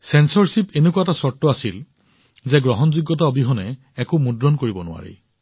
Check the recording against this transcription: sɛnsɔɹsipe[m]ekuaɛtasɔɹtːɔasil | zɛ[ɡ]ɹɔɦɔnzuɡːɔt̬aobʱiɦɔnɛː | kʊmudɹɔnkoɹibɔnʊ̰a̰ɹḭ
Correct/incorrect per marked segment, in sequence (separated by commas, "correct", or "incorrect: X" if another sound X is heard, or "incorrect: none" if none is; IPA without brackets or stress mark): incorrect: n, correct